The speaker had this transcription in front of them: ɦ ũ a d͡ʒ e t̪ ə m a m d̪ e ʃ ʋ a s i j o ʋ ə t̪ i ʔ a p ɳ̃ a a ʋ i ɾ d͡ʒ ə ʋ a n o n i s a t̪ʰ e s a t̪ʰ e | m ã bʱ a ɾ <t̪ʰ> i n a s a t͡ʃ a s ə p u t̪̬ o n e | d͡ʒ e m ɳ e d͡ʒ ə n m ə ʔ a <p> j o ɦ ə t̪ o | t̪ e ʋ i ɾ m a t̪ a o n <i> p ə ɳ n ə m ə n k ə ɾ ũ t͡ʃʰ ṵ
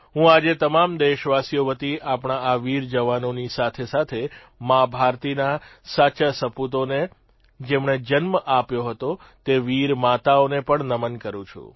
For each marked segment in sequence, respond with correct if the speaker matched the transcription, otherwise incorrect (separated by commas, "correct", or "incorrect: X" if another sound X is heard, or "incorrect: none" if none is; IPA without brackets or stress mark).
incorrect: t̪, correct, incorrect: e